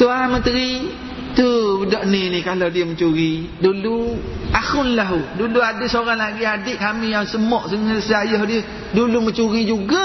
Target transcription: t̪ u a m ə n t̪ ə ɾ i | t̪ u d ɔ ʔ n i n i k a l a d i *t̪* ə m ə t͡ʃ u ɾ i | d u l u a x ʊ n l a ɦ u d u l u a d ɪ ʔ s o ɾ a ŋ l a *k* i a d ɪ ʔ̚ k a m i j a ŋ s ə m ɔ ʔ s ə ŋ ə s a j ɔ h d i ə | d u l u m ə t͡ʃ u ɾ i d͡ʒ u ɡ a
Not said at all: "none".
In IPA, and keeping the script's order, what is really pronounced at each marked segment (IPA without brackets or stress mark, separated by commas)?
none, ɡ